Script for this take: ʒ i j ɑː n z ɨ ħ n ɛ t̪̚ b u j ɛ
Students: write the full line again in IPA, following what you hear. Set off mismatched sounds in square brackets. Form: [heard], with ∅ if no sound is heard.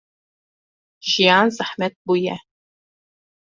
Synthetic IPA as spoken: ʒ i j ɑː n z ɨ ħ [m] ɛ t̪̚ b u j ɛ